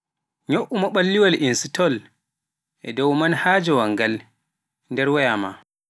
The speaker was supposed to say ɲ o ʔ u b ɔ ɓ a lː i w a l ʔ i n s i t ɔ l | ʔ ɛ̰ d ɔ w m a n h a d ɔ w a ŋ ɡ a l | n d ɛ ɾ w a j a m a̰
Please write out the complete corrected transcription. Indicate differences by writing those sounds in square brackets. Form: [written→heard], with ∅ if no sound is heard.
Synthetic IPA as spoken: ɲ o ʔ u [b→m] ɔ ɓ a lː i w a l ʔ i n s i t ɔ l | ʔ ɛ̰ d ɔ w m a n h a [d→d͡ʒ] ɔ w a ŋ ɡ a l | n d ɛ ɾ w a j a m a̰

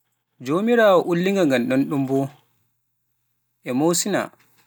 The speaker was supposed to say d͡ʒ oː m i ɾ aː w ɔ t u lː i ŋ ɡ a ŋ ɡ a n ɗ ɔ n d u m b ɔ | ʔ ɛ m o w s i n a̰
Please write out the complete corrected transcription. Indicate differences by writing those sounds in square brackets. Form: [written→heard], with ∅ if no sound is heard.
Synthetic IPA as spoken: d͡ʒ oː m i ɾ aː w ɔ [t→ʔ] u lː i ŋ ɡ a ŋ ɡ a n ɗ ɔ n [d→ɗ] u m b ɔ | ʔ ɛ m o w s i n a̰

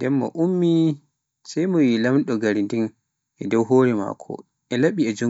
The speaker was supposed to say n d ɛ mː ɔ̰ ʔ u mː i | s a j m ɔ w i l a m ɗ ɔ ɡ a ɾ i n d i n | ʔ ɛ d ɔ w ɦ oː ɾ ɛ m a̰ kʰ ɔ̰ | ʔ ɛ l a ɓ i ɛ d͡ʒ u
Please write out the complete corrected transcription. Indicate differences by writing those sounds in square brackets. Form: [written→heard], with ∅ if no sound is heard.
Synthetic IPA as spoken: n d ɛ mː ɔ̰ ʔ u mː i | s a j m ɔ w i l a m ɗ ɔ ɡ a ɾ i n d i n | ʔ ɛ d ɔ w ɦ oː ɾ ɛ m a̰ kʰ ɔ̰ | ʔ ɛ l a ɓ i ɛ d͡ʒ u

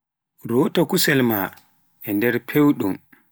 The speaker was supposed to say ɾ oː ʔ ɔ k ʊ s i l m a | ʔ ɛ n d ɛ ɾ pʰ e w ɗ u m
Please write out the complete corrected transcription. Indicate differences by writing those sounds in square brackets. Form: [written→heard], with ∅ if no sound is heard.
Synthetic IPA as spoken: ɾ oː [ʔ→t] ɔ k [ʊ→u] s [i→ɛ] l m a | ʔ ɛ n d ɛ ɾ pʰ e w ɗ u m

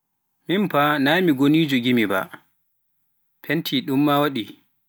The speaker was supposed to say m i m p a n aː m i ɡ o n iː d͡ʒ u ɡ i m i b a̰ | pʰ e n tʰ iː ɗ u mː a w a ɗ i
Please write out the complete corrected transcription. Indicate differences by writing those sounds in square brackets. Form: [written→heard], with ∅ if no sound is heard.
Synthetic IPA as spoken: m i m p a n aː m i ɡ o n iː d͡ʒ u ɡ i m i b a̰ | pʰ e n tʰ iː ɗ u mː a w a ɗ i

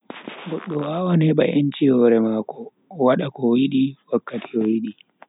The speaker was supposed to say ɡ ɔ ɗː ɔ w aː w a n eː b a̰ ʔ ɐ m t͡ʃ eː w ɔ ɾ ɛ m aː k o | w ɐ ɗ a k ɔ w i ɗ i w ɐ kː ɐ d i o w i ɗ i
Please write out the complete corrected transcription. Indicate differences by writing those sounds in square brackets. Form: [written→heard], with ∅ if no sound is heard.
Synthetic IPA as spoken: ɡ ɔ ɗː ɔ w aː w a n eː b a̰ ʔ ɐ [m→n] t͡ʃ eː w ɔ ɾ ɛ m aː k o | w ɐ ɗ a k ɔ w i ɗ i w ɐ kː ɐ [d→t] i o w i ɗ i

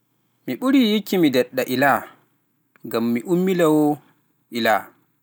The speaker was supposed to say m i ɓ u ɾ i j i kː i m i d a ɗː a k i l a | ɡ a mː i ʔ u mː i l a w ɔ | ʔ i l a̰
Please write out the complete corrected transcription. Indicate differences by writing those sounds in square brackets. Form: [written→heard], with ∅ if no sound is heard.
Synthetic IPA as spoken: m i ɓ u ɾ i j i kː i m i d [a→ɛ] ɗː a [k→ʔ] i l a | ɡ a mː i ʔ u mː i l a w ɔ | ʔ i l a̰

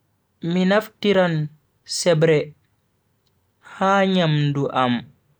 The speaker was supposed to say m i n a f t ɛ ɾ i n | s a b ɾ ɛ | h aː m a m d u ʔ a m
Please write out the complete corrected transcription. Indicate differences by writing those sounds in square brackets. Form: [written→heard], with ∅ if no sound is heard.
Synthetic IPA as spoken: m i n a f t [ɛ→i] ɾ [i→a] n | s [a→ɛ] b ɾ ɛ | h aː [m→ɲ] a m d u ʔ a m

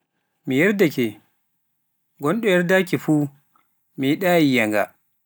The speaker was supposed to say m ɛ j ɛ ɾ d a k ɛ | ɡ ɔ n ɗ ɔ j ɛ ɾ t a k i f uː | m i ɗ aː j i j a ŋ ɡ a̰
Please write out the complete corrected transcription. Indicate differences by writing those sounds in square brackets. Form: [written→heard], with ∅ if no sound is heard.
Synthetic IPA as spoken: m [ɛ→i] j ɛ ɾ d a k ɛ | ɡ ɔ n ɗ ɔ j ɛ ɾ [t→d] a k i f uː | m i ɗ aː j i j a ŋ ɡ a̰

